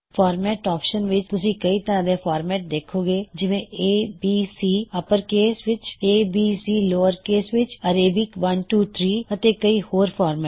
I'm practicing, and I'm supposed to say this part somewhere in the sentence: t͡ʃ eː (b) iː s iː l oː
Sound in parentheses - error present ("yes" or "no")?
no